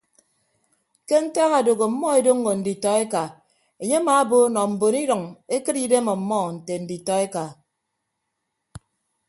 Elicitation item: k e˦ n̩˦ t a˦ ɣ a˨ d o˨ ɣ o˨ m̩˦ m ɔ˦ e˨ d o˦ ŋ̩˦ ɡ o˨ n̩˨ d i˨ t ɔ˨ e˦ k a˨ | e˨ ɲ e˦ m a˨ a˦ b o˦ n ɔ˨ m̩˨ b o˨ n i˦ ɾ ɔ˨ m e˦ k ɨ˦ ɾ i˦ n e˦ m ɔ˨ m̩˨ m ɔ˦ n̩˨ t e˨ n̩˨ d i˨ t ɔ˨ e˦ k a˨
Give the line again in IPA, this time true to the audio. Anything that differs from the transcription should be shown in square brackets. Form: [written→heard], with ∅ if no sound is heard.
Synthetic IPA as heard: k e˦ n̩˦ t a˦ ɣ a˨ d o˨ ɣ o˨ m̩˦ m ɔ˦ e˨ d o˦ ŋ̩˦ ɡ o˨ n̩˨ d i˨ t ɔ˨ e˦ k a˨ | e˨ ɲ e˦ m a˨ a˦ b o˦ n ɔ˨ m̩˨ b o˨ n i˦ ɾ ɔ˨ [m→ŋ] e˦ k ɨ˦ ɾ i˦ [n→d] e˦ m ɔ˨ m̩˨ m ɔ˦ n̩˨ t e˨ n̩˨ d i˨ t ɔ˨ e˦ k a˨